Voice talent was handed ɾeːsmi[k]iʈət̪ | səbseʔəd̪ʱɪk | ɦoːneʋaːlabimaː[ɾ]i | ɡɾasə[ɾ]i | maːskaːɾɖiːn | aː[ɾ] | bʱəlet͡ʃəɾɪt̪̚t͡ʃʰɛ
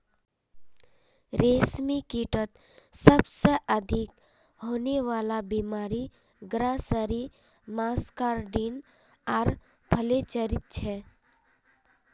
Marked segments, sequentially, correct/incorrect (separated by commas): correct, correct, correct, correct